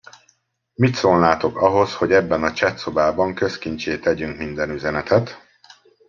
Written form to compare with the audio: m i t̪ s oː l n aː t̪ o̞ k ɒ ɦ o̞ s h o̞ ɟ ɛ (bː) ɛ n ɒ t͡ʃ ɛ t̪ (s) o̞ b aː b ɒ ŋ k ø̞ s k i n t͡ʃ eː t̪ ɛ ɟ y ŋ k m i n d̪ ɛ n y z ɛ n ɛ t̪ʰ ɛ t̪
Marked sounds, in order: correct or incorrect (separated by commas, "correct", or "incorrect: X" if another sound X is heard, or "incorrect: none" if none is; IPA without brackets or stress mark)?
correct, correct